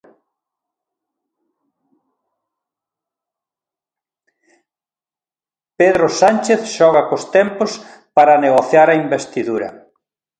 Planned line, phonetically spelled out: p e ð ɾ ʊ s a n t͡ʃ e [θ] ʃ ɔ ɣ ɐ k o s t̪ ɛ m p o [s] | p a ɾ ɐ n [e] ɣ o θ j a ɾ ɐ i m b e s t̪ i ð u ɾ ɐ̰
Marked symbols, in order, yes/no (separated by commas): yes, yes, yes